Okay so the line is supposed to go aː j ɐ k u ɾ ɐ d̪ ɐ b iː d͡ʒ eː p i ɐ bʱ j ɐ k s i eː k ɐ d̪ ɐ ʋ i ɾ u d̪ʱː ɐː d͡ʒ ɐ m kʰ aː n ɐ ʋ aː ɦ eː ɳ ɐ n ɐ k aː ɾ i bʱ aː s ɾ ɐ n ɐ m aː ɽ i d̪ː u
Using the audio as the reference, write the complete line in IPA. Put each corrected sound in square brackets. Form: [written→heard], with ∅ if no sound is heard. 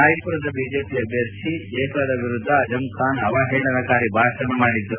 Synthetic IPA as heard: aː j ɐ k u ɾ ɐ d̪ ɐ b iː d͡ʒ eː p i ɐ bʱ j ɐ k [s→ʂ] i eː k ɐ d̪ ɐ ʋ i ɾ u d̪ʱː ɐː d͡ʒ ɐ m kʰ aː n ɐ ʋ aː ɦ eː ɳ ɐ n ɐ k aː ɾ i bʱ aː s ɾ ɐ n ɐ m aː ɽ i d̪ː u